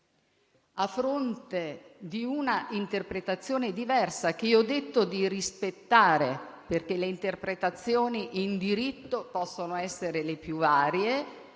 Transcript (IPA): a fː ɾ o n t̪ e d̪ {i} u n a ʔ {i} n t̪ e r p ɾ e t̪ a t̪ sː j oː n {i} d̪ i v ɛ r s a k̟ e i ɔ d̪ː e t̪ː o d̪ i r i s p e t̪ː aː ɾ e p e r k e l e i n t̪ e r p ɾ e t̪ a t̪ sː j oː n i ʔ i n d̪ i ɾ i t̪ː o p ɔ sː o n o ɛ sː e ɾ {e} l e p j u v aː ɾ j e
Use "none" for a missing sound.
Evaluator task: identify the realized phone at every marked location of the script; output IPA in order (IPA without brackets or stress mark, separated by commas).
i, i, e, e